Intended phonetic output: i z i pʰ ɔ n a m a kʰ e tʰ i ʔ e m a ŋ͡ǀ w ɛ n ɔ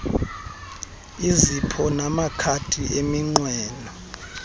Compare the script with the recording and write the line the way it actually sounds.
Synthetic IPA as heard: i z i pʰ ɔ n a m a kʰ a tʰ i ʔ e m i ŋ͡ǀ w ɛː n ɔ